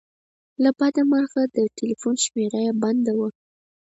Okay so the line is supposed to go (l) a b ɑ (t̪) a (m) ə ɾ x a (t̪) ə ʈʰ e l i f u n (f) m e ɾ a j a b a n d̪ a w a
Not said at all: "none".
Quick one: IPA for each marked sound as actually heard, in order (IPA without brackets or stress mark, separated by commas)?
l, d̪, m, d̪, ʃ